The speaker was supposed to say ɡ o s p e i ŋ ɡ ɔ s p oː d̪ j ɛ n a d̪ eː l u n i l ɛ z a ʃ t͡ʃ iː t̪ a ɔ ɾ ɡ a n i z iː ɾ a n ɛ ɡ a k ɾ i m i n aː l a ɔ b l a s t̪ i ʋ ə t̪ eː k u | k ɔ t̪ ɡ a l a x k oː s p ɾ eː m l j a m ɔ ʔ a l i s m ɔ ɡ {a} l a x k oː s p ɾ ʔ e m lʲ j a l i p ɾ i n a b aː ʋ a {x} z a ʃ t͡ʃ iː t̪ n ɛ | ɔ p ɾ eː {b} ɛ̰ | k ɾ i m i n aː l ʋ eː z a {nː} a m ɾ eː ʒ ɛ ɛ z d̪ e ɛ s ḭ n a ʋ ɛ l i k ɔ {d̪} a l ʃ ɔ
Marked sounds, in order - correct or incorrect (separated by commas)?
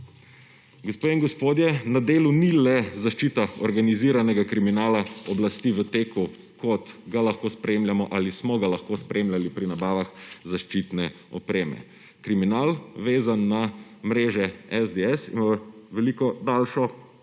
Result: correct, correct, incorrect, correct, correct